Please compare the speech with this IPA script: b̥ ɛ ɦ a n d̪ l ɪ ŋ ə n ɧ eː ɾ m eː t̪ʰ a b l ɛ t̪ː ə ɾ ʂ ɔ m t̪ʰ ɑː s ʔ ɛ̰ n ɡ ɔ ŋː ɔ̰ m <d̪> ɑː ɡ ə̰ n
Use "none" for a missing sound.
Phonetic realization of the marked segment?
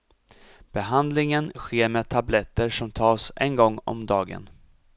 d̪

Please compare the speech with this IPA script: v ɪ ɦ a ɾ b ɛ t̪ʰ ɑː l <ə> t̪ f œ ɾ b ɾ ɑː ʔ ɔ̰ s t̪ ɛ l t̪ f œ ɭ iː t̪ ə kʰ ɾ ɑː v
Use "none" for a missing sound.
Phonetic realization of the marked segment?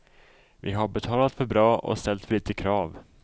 a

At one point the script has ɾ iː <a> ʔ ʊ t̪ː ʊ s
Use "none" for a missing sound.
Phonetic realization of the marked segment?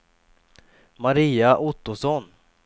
a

